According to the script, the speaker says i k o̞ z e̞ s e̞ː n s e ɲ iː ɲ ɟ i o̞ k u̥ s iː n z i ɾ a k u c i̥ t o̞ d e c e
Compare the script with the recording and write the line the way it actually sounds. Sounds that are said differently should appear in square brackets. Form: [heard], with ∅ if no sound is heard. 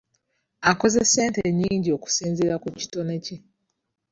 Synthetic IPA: [a] k o̞ z e̞ s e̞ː n [t] e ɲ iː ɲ ɟ i o̞ k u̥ s iː n z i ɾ a k u c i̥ t o̞ [n] e c e